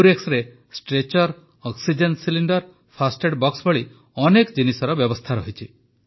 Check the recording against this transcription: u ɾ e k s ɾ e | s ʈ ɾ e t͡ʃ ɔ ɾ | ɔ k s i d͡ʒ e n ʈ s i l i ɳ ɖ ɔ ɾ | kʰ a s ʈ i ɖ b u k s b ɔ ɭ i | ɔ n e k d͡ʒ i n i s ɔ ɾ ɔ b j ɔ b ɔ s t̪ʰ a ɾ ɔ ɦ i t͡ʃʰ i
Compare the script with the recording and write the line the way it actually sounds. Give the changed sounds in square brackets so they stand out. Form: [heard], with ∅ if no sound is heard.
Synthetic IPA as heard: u ɾ e k s ɾ e | s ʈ ɾ e t͡ʃ ɔ ɾ | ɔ k s i d͡ʒ e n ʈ s i l i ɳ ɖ ɔ ɾ | [pʰ] a s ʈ [e] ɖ b [ɔ] k s b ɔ ɭ i | ɔ n e k d͡ʒ i n i s ɔ ɾ ɔ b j ɔ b ɔ s t̪ʰ a ɾ ɔ ɦ i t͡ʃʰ i